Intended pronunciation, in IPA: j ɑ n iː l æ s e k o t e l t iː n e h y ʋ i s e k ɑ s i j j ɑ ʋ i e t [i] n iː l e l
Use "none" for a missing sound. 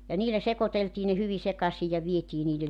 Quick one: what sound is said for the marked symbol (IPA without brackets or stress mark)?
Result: iː